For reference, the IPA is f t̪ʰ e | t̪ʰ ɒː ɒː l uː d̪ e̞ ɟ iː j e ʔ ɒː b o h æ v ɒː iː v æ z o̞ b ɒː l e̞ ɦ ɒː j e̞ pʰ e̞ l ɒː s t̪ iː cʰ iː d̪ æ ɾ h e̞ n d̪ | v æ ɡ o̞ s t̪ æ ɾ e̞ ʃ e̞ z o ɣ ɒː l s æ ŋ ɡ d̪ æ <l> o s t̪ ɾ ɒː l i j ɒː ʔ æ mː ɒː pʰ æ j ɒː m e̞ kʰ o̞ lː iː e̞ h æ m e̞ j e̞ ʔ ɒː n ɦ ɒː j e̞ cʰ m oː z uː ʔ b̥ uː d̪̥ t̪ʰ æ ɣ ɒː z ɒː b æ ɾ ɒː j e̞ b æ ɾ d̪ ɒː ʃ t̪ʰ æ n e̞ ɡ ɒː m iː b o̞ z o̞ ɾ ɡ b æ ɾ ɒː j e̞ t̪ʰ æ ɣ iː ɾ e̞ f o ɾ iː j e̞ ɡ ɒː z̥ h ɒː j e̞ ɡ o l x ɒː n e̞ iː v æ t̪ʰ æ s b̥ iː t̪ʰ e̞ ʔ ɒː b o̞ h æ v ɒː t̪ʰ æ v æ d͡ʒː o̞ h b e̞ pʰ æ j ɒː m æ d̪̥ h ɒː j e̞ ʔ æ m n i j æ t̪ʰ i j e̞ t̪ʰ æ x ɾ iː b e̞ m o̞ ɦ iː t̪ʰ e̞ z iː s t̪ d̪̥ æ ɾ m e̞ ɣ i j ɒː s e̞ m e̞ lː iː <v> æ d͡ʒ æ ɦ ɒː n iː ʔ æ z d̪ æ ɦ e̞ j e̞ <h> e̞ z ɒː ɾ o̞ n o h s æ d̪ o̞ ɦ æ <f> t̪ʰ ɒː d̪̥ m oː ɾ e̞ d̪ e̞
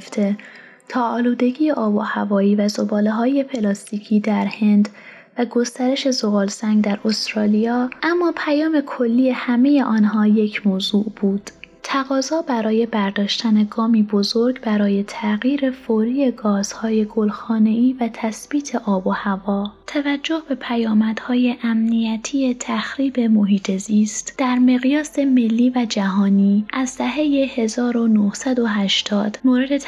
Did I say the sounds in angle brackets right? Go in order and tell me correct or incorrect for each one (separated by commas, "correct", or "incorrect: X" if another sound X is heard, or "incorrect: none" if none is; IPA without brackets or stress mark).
incorrect: ɾ, correct, correct, incorrect: ʃ